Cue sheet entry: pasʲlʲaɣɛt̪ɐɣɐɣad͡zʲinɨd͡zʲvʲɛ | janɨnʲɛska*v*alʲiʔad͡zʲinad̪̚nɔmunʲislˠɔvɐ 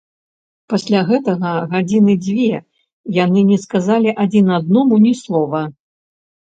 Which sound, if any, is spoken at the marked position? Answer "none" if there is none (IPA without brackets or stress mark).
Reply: z